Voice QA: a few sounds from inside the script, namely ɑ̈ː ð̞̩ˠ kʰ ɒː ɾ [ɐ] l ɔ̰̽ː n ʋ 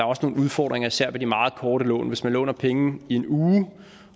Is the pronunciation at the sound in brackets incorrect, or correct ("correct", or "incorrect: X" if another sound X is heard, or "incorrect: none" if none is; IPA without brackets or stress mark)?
incorrect: ə